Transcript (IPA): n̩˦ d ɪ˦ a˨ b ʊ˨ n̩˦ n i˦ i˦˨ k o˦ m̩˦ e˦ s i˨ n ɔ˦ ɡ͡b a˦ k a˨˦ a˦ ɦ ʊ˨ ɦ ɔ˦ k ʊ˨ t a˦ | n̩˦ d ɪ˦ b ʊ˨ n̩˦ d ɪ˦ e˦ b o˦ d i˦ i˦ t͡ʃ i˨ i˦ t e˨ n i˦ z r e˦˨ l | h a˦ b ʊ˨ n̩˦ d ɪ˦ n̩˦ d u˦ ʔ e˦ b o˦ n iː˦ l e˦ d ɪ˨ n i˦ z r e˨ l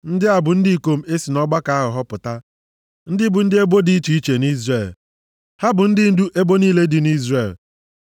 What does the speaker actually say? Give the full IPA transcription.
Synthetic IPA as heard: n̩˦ d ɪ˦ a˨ b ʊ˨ n̩˦ d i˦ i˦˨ k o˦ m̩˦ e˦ s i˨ n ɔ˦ ɡ͡b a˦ k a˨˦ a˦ ɦ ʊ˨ ɦ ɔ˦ p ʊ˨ t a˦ | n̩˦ d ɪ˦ b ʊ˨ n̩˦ d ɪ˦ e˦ b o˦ d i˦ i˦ t͡ʃ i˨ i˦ t͡ʃ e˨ n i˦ z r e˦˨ l | h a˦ b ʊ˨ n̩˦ d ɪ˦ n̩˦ d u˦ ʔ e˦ b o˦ n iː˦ l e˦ d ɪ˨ n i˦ z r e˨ l

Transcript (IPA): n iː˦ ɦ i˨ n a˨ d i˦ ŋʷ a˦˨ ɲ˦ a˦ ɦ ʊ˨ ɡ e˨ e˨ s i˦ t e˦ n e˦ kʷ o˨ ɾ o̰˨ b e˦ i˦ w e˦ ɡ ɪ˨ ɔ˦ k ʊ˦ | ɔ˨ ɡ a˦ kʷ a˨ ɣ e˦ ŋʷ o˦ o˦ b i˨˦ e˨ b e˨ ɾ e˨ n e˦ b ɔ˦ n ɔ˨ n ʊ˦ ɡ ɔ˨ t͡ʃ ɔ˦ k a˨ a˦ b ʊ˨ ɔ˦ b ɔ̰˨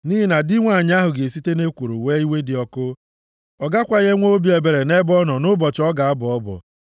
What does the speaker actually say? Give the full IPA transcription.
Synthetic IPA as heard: n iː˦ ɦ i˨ n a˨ d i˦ ŋʷ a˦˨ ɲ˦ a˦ ɦ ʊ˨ ɡ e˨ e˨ s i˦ t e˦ n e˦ kʷ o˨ ɾ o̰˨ w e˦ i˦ w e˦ d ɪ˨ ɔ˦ k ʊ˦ | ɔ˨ ɡ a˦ kʷ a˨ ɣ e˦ ŋʷ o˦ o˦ b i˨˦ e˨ b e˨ ɾ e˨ n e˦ b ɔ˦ n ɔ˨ n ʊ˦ b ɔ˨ t͡ʃ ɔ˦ ɡ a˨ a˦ b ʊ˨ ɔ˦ b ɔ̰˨

